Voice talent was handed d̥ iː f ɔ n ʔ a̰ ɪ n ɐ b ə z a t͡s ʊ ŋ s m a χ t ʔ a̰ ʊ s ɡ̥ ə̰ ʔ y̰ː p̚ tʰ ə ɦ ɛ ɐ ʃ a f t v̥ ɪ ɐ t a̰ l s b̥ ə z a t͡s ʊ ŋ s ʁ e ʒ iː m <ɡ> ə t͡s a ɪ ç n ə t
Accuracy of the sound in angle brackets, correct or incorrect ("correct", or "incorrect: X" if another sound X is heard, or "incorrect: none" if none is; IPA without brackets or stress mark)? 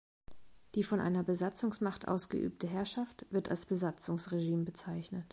incorrect: b